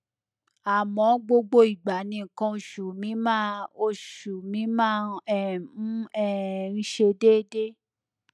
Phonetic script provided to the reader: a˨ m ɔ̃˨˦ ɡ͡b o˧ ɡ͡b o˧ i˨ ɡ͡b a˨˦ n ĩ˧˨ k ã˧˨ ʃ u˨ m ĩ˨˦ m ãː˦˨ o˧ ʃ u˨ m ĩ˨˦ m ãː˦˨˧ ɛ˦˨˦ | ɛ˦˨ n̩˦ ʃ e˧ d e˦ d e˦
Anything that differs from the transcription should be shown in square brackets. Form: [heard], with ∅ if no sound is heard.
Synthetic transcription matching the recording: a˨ m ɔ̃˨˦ ɡ͡b o˧ ɡ͡b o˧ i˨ ɡ͡b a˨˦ n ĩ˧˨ k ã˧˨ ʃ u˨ m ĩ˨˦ m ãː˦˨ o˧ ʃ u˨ m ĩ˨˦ m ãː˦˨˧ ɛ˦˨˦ | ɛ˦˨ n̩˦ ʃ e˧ d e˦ d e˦